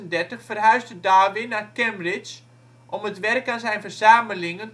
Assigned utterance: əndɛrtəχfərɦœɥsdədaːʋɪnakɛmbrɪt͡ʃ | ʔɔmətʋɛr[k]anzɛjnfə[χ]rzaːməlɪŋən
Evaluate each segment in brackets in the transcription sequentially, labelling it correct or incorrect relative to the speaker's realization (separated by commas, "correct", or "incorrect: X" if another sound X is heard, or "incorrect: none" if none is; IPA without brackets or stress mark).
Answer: correct, incorrect: none